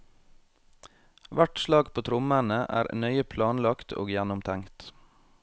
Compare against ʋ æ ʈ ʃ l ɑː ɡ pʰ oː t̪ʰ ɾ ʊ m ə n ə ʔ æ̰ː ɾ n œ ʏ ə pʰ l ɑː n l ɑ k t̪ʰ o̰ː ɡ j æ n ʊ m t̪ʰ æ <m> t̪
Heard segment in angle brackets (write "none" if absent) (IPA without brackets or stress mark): ŋ